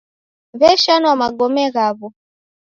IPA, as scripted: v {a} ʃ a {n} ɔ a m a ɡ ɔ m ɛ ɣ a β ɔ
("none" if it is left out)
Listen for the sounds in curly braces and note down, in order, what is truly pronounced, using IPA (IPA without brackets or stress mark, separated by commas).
ɛ, n